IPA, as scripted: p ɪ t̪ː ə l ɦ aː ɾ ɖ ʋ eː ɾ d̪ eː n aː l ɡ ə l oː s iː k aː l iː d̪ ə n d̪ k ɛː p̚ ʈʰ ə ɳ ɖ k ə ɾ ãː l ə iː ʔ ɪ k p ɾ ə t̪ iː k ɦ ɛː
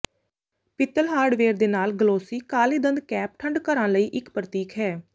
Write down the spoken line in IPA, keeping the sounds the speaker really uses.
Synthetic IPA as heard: p ɪ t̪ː ə l ɦ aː ɾ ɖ ʋ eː ɾ d̪ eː n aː l ɡ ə l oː s iː k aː l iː d̪ ə n d̪ k ɛː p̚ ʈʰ ə ɳ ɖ k ə ɾ ãː l ə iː ʔ ɪ k p ɾ ə t̪ iː k ɦ ɛː